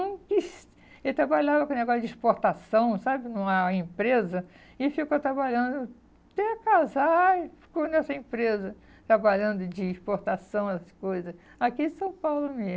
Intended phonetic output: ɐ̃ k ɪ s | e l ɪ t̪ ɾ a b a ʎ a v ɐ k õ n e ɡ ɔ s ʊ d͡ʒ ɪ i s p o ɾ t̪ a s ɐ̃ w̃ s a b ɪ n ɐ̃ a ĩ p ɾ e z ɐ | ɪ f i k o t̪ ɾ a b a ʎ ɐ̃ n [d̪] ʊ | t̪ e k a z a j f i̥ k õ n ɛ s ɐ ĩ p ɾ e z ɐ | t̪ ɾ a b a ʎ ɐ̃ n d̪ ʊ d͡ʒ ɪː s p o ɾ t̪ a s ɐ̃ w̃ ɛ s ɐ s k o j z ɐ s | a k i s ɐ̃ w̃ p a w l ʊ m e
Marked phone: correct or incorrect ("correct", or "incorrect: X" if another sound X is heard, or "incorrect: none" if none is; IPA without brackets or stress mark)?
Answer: correct